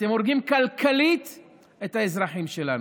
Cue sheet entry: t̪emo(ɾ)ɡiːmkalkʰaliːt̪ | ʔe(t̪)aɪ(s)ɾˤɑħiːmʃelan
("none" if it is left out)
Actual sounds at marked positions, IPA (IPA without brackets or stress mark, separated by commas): ɾ, t̪, z